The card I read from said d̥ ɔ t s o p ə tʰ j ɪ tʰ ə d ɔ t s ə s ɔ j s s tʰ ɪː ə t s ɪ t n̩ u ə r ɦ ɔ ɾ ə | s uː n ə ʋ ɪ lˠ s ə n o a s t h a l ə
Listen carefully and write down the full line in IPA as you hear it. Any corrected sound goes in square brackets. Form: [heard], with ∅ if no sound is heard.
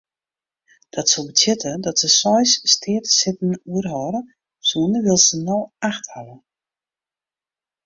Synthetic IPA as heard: d̥ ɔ t s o [b] ə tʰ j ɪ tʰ ə d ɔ t s ə s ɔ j s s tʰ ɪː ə t s ɪ t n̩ u ə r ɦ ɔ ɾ ə | s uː n ə ʋ ɪ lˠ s ə n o a [x] t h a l ə